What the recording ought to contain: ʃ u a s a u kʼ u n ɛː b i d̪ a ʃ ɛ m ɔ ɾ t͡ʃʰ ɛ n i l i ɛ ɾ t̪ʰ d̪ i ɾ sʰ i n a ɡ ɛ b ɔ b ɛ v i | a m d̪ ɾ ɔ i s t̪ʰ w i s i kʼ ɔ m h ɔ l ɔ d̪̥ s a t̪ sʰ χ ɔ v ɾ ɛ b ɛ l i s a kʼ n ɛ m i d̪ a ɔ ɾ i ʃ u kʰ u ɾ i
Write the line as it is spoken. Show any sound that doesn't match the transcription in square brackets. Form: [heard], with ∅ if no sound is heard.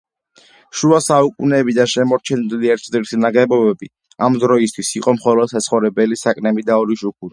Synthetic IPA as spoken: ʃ u a s a u kʼ u n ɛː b i d̪ a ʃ ɛ m ɔ ɾ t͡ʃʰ ɛ n i l i ɛ ɾ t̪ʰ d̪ i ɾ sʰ i n a ɡ ɛ b ɔ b ɛ [b] i | a m d̪ ɾ ɔ i s t̪ʰ w i s i [qʼ] ɔ m [χ] ɔ l ɔ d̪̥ s a t̪ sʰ χ ɔ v ɾ ɛ b ɛ l i s a kʼ n ɛ m i d̪ a ɔ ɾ i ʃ u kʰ u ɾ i